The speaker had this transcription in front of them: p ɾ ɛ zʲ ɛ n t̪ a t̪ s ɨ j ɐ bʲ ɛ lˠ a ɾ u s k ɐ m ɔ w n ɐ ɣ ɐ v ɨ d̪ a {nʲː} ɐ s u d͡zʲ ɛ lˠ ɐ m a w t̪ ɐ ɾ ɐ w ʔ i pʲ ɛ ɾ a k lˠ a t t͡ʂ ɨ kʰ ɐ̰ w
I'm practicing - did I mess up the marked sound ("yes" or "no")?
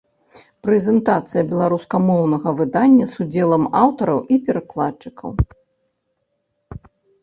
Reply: no